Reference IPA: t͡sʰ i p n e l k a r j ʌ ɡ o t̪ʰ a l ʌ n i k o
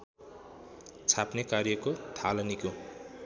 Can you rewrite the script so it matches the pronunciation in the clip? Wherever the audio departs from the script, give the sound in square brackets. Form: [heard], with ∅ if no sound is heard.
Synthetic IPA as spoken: t͡sʰ [a] p n e [∅] k a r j ʌ [k] o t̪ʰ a l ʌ n i k o